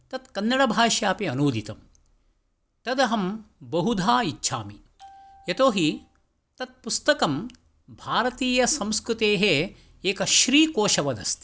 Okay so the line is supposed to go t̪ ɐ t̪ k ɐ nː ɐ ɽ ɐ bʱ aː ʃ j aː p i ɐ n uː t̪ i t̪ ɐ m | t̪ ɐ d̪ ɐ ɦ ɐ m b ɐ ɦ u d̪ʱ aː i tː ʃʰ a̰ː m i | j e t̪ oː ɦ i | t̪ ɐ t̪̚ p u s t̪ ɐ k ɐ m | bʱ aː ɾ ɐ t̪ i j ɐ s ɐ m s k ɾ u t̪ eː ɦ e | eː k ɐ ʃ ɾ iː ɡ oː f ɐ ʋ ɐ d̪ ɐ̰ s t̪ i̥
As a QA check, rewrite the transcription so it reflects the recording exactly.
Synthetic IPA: t̪ ɐ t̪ k ɐ nː ɐ ɽ ɐ bʱ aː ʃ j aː p i ɐ n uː d̪ i t̪ ɐ m | t̪ ɐ d̪ ɐ ɦ ɐ m b ɐ ɦ u d̪ʱ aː i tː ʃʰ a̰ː m i | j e t̪ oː ɦ i | t̪ ɐ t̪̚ p u s t̪ ɐ k ɐ m | bʱ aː ɾ ɐ t̪ iː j ɐ s ɐ m s k ɾ u t̪ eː ɦ e | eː k ɐ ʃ ɾ iː k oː ʃ ɐ ʋ ɐ d̪ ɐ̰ s t̪ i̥

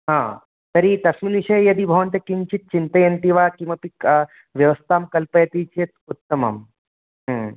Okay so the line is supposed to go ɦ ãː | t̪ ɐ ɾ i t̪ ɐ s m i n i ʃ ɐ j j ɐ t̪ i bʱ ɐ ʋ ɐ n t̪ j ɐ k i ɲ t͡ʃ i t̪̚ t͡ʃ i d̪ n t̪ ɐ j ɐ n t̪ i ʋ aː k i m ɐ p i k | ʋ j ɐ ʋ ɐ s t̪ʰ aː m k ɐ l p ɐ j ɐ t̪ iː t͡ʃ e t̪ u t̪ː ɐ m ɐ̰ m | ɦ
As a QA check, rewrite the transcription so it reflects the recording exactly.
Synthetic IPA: ɦ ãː | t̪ ɐ ɾ i t̪ ɐ s m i n i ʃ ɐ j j ɐ d̪ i bʱ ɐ ʋ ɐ n t̪ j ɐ k i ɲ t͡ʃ i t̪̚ t͡ʃ i n t̪ ɐ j ɐ n t̪ i ʋ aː k i m ɐ p i k | ʋ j ɐ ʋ ɐ s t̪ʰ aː m k ɐ l p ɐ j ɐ t̪ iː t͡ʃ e t̪ u t̪ː ɐ m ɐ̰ m | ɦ

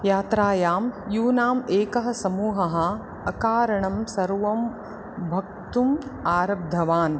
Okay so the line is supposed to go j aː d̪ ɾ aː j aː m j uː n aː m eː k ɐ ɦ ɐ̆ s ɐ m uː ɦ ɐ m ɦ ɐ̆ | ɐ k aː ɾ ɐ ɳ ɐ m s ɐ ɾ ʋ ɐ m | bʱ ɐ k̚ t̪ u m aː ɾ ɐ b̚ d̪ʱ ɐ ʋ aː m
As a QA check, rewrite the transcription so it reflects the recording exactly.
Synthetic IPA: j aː t̪ ɾ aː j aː m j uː n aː m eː k ɐ ɦ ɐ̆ s ɐ m uː ɦ ɐ ɦ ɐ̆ | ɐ k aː ɾ ɐ ɳ ɐ m s ɐ ɾ ʋ ɐ m | bʱ ɐ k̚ t̪ u m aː ɾ ɐ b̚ d̪ʱ ɐ ʋ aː n

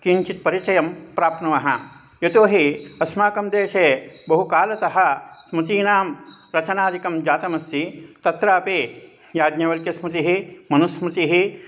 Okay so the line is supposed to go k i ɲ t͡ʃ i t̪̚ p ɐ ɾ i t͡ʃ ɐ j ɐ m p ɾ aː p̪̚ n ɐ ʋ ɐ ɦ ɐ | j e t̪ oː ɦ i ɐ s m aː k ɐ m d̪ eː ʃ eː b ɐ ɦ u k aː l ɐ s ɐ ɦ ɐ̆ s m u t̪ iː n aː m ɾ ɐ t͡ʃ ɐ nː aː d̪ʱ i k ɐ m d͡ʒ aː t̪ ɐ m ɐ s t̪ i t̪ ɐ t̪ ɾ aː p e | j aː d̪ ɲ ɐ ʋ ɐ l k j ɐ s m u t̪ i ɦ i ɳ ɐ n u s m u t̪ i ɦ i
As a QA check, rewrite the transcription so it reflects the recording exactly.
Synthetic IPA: k i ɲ t͡ʃ i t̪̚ p ɐ ɾ i t͡ʃ ɐ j ɐ m p ɾ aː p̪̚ n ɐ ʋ ɐ ɦ ɐ | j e t̪ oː ɦ i ɐ s m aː k ɐ m d̪ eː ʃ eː b ɐ ɦ u k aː l ɐ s ɐ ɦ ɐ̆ s m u t̪ iː n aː m ɾ ɐ t͡ʃ ɐ n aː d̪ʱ i k ɐ m d͡ʒ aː t̪ ɐ m ɐ s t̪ i t̪ ɐ t̪ ɾ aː p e | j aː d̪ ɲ ɐ ʋ ɐ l k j ɐ s m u t̪ i ɦ i m ɐ n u s m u t̪ i ɦ i

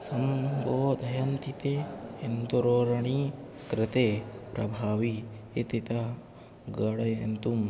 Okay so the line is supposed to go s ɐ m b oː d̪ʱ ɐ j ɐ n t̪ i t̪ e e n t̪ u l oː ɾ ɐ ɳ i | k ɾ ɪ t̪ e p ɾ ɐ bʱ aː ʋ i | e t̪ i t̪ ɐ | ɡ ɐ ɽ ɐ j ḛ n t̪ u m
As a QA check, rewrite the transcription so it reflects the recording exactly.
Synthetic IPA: s ɐ m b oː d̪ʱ ɐ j ɐ n t̪ i t̪ e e n t̪ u ɾ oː ɾ ɐ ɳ i | k ɾ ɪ t̪ e p ɾ ɐ bʱ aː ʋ i | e t̪ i t̪ ɐ | ɡ ɐ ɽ ɐ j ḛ n t̪ u m

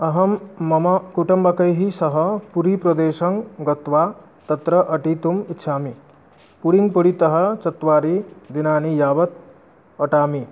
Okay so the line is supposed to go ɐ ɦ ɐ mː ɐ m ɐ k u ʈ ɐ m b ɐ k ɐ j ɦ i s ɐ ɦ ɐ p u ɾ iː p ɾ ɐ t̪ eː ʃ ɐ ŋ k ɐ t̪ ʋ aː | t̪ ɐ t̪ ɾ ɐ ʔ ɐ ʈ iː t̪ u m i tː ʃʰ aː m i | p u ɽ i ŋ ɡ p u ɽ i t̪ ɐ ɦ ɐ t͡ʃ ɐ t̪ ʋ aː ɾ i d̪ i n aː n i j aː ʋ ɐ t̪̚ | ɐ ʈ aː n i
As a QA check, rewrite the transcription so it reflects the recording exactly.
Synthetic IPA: ɐ ɦ ɐ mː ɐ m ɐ k u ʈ ɐ m b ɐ k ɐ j ɦ i s ɐ ɦ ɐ p u ɾ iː p ɾ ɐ d̪ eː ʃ ɐ ŋ ɡ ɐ t̪ ʋ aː | t̪ ɐ t̪ ɾ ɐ ʔ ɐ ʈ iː t̪ u m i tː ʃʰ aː m i | p u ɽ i ŋ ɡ p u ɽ i t̪ ɐ ɦ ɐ t͡ʃ ɐ t̪ ʋ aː ɾ i d̪ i n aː n i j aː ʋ ɐ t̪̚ | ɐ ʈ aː m i

